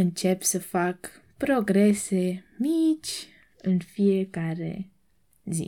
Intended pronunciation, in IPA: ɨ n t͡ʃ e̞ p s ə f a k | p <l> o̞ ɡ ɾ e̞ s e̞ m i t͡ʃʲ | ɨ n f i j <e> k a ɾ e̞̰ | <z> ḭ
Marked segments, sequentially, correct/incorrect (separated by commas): incorrect, correct, correct